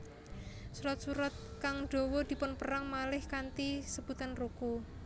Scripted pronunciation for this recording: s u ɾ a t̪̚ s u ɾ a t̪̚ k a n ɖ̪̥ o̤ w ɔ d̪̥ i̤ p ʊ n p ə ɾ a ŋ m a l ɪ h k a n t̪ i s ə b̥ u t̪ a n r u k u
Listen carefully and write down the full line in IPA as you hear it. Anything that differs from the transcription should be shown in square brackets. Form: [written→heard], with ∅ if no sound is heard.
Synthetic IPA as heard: s u ɾ a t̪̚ s u ɾ a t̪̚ k a [n→ŋ] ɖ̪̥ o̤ w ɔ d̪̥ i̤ p ʊ n p ə ɾ a ŋ m a l ɪ h k a n t̪ i s ə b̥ u t̪ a n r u k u